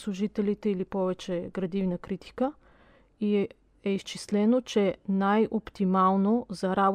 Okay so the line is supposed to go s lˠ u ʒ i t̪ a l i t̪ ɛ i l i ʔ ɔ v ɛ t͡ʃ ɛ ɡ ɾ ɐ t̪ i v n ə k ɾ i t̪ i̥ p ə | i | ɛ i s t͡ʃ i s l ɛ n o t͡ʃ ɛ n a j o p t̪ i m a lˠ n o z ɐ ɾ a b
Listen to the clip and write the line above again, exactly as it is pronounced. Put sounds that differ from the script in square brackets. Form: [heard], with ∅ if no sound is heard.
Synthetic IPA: s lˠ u ʒ i t̪ [ɛ] l i t̪ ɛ i l i [p] ɔ v ɛ t͡ʃ ɛ ɡ ɾ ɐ [d̪] i v n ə k ɾ i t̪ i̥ [k] ə | i | ɛ i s t͡ʃ i s l ɛ n o t͡ʃ ɛ n a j o p t̪ i m a lˠ n o z ɐ ɾ a b